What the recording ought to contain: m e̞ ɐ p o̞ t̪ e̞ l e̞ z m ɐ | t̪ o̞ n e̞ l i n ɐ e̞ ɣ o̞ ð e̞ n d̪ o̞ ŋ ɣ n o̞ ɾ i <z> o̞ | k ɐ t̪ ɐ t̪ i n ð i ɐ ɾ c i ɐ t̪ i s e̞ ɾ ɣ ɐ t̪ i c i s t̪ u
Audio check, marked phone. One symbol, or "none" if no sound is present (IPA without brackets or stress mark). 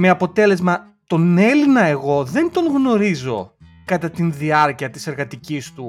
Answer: z